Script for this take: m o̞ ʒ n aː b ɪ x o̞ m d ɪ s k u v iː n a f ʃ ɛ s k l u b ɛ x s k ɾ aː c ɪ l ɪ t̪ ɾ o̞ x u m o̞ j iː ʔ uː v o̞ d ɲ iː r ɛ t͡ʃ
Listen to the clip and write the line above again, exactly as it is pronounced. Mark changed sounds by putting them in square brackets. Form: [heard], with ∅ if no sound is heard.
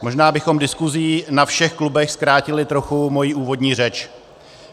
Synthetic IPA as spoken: m o̞ ʒ n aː b ɪ x o̞ m d ɪ s k u [z] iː n a f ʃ ɛ [x] k l u b ɛ x s k ɾ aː c ɪ l ɪ t̪ ɾ o̞ x u m o̞ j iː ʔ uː v o̞ d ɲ iː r ɛ t͡ʃ